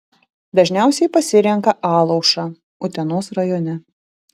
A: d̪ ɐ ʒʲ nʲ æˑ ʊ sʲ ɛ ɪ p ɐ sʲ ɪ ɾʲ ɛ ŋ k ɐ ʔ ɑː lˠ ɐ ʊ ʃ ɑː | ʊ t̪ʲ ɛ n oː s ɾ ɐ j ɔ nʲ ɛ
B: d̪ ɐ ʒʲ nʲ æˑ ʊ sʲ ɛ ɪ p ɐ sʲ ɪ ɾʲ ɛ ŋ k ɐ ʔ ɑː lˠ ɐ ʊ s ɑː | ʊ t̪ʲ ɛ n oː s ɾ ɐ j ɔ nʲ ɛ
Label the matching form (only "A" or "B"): A